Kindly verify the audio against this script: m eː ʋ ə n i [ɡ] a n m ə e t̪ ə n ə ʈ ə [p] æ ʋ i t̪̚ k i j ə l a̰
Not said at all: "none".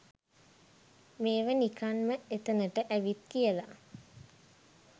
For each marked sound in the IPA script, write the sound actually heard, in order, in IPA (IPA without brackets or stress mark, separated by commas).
k, ʔ